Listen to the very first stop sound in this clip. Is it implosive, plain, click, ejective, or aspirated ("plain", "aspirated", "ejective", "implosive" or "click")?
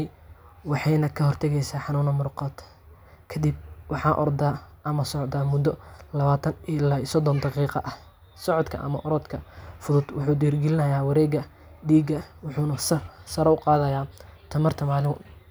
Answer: aspirated